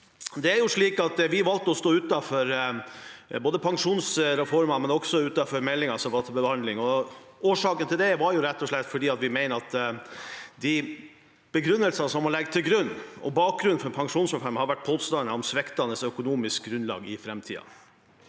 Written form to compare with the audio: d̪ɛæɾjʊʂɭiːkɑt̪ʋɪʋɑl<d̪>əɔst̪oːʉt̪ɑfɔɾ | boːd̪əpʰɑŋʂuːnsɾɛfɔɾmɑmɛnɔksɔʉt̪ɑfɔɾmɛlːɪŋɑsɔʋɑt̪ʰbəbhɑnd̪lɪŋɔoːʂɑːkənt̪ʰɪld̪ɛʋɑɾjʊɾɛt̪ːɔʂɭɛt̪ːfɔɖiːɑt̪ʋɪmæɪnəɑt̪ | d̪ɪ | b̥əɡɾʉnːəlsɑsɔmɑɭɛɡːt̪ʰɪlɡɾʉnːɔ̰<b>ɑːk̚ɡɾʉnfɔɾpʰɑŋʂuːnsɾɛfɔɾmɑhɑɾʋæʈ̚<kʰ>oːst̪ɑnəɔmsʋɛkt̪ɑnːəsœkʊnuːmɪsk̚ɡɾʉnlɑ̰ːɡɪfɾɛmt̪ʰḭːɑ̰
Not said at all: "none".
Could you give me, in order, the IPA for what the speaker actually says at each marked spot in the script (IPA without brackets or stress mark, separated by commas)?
t̪, b, pʰ